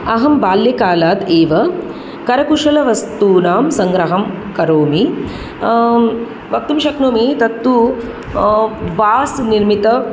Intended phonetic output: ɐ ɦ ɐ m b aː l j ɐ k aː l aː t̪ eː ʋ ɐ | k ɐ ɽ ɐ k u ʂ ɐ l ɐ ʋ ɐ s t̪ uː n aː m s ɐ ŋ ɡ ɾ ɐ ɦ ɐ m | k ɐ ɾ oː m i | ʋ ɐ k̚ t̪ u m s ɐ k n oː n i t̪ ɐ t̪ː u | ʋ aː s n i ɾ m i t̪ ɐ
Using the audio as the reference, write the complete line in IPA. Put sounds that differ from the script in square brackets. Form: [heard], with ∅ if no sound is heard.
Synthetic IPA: ɐ ɦ ɐ m b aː l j ɐ k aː l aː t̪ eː ʋ ɐ | k ɐ [ɾ] ɐ k u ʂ ɐ l ɐ ʋ ɐ s t̪ uː n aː m s ɐ ŋ ɡ ɾ ɐ ɦ ɐ m | k ɐ ɾ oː m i | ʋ ɐ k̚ t̪ u m [ʃ] ɐ k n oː [m] i t̪ ɐ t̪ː u | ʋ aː s n i ɾ m i t̪ ɐ